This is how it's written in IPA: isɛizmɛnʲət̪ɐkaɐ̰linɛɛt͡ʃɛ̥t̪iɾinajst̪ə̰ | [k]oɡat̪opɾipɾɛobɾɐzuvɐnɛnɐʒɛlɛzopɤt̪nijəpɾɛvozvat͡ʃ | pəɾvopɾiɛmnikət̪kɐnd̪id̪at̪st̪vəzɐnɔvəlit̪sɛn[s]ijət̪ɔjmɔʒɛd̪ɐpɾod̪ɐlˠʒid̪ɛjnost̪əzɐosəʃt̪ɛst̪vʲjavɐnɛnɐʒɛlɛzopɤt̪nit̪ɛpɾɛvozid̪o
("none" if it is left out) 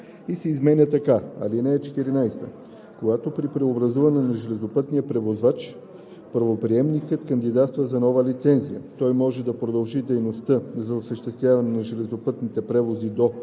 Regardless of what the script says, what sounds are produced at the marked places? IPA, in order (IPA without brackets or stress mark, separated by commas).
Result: k, z